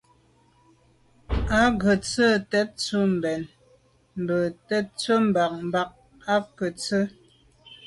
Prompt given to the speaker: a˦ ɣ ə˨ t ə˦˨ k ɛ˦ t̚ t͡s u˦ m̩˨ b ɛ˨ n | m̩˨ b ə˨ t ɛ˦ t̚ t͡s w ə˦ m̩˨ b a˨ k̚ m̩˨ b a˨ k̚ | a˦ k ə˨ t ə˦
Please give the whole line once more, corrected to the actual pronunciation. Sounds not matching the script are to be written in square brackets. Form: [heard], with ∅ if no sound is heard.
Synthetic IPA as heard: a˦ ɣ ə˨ [t͡s] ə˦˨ [t] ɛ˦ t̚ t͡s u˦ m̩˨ b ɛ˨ n | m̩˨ b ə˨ t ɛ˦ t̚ t͡s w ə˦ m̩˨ b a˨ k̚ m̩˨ b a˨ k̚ | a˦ k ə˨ [t͡s] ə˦